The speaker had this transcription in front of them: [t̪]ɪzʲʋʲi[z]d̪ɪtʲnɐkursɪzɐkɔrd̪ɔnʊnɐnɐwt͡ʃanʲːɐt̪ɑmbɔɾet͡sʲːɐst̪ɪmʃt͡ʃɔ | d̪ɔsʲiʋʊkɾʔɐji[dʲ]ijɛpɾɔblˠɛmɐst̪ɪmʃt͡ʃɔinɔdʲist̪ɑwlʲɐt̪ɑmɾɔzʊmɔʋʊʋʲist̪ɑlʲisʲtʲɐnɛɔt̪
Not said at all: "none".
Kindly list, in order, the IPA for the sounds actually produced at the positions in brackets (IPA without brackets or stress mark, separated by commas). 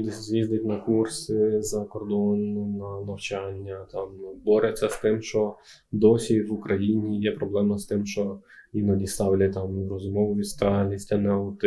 d̪, z, nʲ